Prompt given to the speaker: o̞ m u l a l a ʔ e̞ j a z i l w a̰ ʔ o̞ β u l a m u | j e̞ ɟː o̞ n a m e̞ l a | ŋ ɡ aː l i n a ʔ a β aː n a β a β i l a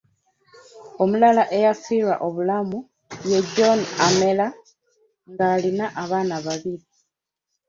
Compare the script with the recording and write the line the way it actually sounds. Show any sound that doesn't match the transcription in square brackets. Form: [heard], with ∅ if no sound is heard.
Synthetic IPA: o̞ m u l a l a ʔ e̞ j a [s] i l w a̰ ʔ o̞ β u l a m u | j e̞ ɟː o̞ n a m e̞ l a | ŋ ɡ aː l i n a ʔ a β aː n a β a β i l [i]